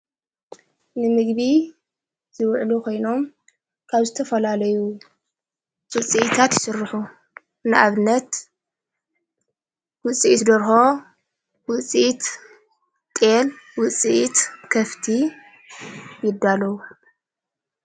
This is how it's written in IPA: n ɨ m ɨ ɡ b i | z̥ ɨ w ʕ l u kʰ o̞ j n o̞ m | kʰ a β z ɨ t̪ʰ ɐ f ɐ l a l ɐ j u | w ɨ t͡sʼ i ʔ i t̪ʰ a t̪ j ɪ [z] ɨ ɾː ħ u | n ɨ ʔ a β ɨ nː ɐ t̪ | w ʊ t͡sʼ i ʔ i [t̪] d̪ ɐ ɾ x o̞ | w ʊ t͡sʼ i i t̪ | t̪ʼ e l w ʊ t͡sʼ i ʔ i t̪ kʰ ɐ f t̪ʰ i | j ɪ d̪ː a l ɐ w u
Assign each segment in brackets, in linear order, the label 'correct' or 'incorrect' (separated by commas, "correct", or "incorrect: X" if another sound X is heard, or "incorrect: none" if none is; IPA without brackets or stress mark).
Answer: incorrect: s, correct